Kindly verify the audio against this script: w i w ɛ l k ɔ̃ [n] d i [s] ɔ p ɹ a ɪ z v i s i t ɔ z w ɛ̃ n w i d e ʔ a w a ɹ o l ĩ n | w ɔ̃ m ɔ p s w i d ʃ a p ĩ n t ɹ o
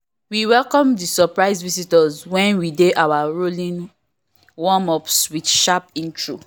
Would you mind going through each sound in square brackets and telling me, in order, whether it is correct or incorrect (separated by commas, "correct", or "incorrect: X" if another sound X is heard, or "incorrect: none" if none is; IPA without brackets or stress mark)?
incorrect: m, correct